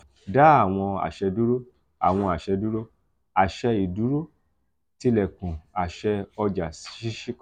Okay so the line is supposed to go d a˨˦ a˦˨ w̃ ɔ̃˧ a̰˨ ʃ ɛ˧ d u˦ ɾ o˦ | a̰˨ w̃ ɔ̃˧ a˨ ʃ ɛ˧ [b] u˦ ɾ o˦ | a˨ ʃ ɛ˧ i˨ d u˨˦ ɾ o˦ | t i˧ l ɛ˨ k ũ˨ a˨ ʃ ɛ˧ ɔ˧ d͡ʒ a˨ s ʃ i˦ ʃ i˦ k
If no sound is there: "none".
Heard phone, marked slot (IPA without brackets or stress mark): d